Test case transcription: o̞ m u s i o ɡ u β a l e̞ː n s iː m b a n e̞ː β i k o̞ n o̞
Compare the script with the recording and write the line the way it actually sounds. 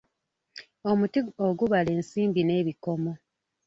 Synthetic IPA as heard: o̞ m u t i o ɡ u β a l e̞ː n s iː m b i n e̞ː β i k o̞ m o̞